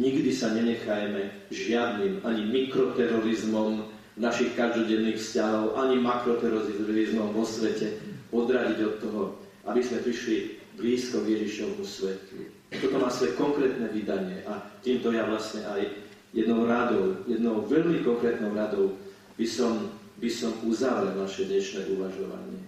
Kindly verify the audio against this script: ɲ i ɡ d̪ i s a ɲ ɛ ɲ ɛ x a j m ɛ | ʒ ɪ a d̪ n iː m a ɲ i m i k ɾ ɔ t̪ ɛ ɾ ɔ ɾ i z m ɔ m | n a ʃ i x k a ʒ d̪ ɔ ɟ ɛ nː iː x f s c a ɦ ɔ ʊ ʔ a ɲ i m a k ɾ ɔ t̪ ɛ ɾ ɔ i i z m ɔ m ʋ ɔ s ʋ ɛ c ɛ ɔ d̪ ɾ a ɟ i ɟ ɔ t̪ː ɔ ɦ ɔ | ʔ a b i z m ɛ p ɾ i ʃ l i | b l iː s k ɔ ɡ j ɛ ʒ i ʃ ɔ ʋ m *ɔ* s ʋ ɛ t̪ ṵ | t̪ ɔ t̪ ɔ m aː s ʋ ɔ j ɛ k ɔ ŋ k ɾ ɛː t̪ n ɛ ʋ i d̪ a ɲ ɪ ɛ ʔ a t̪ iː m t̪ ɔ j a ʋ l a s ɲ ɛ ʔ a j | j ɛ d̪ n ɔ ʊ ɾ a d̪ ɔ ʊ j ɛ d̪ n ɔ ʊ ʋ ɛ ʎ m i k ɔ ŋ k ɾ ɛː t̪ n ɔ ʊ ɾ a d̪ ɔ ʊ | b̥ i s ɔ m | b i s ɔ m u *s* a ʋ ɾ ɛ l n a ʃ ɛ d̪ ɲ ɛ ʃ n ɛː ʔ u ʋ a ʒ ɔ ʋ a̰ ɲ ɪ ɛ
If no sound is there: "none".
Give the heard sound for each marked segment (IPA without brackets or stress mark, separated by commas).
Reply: u, z